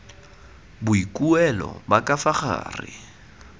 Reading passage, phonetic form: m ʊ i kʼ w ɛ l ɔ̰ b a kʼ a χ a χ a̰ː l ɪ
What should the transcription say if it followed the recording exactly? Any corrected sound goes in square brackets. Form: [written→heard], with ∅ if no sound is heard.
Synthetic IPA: [m→b] ʊ i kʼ [w→u] ɛ l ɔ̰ b a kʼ a [χ→f] a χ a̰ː [l→r] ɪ